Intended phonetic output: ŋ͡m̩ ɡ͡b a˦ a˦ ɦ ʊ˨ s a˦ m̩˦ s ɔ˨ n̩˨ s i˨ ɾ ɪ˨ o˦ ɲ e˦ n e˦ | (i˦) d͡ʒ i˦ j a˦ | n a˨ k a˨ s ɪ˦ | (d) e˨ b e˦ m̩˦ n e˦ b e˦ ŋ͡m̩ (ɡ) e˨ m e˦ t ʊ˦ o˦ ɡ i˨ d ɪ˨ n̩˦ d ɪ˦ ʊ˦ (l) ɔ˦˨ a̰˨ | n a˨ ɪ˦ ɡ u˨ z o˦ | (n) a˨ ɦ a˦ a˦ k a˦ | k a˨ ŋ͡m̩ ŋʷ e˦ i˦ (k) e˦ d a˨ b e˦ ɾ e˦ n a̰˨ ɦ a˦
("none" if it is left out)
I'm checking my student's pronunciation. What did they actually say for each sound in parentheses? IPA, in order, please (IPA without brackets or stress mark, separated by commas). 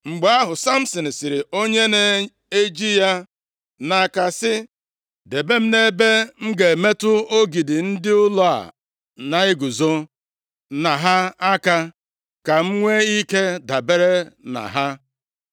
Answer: e˦, d, ɡ, l, n, k